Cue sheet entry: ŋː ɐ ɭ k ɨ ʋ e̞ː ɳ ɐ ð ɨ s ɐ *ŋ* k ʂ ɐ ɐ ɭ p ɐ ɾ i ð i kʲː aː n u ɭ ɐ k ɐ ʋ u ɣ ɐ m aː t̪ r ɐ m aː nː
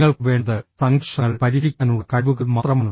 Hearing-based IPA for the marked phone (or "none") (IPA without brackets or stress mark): ŋ